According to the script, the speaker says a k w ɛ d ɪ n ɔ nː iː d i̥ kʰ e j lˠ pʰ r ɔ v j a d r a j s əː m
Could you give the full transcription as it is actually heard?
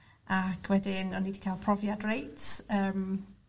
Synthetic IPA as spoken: a kʰ w ɛ d ɪ n ɔ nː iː d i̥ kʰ a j lˠ pʰ r ɔ v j a d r e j t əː m